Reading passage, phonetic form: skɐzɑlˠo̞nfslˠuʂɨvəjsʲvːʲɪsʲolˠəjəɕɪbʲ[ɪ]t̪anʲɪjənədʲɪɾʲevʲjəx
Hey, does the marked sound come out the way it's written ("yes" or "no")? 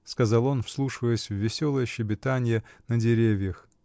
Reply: yes